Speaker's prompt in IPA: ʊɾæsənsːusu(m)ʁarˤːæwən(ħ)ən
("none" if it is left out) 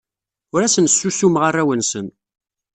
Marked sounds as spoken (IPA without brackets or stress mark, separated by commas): m, s